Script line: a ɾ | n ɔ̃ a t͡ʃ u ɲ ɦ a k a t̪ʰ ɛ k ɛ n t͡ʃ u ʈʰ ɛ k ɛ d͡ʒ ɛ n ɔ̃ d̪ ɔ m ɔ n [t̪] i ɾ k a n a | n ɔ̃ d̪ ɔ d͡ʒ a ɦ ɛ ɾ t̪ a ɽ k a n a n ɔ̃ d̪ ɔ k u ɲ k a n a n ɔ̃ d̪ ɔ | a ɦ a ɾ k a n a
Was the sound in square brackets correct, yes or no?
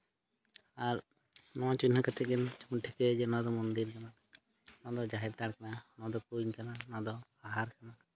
no